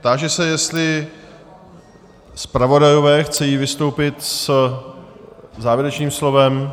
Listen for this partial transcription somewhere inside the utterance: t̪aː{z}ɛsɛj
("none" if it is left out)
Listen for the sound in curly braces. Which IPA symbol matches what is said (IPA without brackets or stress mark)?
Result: ʒ